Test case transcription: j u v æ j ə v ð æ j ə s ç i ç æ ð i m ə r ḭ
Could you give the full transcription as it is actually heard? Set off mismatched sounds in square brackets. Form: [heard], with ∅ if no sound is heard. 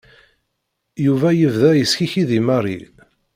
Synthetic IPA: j u v æ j ə v ð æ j ə s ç i ç [i] ð i m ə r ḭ